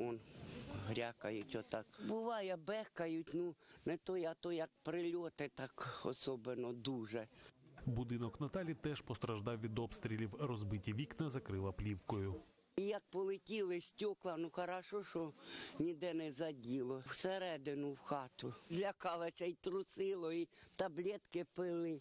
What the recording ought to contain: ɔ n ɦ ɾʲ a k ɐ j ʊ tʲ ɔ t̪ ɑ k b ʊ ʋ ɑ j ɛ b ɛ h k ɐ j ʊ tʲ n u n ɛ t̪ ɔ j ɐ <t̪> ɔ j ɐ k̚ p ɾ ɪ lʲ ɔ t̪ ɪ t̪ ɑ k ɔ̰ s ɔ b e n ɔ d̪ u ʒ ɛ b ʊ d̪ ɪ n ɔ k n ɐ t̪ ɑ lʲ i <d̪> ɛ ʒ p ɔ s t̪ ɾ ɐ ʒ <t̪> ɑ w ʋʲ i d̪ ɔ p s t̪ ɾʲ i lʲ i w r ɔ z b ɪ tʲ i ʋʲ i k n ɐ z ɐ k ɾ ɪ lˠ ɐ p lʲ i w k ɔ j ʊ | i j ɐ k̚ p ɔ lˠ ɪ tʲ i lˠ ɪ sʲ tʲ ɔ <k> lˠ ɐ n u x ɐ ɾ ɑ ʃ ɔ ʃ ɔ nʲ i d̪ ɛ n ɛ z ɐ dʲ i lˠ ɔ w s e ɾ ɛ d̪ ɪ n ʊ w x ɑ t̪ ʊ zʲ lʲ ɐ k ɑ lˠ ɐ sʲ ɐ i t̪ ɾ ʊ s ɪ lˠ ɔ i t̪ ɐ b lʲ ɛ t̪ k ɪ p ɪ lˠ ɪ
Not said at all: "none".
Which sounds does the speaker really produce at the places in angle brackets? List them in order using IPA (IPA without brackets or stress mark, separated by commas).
t̪, t̪, d̪, k